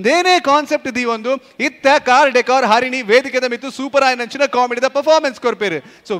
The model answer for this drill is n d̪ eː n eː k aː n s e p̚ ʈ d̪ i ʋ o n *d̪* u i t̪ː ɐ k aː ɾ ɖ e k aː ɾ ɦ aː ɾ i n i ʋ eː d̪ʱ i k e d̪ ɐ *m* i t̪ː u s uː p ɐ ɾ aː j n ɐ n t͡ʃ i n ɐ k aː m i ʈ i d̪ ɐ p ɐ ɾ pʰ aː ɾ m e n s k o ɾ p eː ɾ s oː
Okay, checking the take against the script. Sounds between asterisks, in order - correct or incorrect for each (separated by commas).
correct, correct